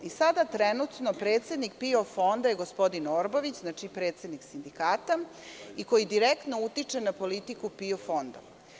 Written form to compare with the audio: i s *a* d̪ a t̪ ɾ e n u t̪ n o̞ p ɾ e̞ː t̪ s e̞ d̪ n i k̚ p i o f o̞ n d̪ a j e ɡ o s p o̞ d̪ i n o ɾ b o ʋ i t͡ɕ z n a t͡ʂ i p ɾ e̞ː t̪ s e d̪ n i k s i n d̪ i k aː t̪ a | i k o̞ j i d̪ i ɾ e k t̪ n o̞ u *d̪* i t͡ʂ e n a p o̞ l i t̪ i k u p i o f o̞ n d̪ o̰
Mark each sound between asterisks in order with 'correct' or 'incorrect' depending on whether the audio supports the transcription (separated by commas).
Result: correct, incorrect